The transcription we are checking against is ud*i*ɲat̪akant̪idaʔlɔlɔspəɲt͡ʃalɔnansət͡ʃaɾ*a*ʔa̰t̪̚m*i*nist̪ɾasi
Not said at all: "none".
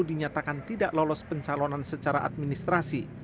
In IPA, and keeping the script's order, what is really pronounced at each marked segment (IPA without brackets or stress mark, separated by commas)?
i, a, i